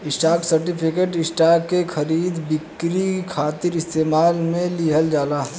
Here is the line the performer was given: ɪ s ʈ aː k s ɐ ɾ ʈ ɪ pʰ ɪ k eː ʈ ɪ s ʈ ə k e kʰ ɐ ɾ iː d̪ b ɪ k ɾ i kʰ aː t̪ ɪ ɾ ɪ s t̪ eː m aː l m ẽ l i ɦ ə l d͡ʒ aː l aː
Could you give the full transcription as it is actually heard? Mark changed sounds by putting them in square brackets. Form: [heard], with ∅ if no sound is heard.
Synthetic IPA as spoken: ɪ s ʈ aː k s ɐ ɾ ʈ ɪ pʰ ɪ k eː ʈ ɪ s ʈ [a] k e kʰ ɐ ɾ iː d̪ b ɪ k ɾ i kʰ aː t̪ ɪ ɾ ɪ s t̪ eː m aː l m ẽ l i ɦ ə l d͡ʒ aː l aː

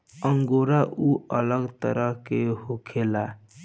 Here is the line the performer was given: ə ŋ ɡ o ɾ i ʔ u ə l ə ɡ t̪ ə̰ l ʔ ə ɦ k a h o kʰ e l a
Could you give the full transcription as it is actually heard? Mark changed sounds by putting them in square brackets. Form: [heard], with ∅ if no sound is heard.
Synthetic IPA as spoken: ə ŋ ɡ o ɾ [a] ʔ u ə l ə ɡ t̪ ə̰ [ɾ] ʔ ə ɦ k [e] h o kʰ e l a

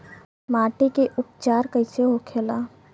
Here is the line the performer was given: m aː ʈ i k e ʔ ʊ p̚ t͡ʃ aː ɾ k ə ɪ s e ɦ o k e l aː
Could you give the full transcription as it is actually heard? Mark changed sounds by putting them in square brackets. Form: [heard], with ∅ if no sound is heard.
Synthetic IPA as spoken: m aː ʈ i k e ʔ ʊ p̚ t͡ʃ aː ɾ k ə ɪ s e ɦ o [kʰ] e l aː

